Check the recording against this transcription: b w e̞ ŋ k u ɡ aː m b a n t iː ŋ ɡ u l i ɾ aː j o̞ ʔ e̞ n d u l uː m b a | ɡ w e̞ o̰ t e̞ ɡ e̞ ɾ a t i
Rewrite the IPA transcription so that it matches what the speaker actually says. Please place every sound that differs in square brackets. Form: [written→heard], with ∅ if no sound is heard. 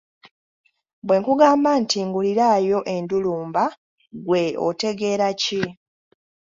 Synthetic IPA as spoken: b w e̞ ŋ k u ɡ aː m b a n t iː ŋ ɡ u l i ɾ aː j o̞ ʔ e̞ n d u l uː m b a | ɡ w e̞ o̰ t e̞ ɡ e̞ ɾ a [t→c] i